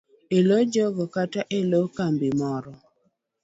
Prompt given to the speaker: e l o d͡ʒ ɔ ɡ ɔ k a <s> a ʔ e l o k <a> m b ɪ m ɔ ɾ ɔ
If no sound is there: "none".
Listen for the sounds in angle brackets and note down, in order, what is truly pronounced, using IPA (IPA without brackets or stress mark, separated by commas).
t, a